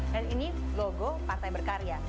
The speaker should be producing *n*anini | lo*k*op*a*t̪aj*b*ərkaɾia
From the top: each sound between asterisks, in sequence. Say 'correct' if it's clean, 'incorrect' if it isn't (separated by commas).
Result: incorrect, incorrect, correct, correct